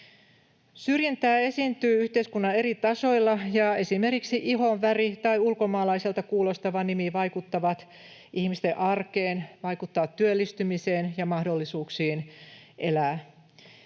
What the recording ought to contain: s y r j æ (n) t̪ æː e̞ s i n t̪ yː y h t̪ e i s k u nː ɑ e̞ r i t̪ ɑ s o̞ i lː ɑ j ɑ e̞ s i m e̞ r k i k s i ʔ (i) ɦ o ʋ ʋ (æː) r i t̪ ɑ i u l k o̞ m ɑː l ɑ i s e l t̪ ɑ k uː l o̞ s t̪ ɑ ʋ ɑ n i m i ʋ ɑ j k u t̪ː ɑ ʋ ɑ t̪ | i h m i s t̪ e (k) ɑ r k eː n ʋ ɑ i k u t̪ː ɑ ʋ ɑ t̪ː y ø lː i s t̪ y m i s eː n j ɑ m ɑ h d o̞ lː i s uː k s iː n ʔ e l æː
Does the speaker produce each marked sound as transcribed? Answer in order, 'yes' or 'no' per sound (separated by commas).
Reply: yes, yes, no, no